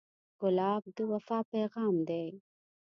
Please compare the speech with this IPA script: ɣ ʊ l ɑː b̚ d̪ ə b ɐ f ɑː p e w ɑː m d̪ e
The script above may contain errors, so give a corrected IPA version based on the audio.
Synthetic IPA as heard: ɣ ʊ l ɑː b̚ d̪ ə w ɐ f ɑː p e ɣ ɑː m d̪ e